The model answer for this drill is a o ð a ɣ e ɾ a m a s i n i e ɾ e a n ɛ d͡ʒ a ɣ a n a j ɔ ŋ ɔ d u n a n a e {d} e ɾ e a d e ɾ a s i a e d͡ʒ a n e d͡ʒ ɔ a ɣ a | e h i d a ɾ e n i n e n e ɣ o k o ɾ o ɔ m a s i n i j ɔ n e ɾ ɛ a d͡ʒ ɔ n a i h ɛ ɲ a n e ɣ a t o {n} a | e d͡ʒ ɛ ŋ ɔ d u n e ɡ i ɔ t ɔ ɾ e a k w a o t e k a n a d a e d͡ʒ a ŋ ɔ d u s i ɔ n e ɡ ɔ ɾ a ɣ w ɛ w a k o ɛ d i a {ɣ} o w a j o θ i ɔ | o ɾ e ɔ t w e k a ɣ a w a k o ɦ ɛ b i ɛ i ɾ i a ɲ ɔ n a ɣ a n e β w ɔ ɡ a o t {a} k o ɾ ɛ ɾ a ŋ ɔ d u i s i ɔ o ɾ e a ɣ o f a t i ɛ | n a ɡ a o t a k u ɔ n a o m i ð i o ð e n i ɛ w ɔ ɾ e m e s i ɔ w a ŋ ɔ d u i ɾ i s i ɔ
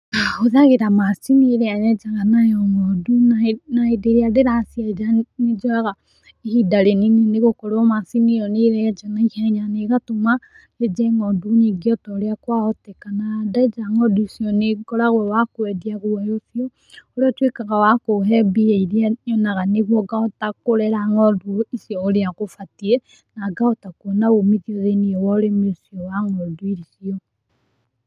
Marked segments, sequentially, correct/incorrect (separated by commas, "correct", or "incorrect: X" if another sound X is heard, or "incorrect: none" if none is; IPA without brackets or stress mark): correct, incorrect: m, correct, correct